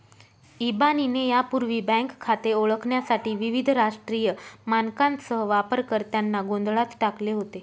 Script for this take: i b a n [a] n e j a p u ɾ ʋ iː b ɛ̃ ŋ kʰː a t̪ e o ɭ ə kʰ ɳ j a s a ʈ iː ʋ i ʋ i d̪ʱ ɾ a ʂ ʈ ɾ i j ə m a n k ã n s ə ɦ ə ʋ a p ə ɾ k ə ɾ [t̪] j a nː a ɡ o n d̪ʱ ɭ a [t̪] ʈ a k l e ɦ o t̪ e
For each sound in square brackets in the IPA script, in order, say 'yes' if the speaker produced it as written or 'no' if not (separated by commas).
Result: no, yes, yes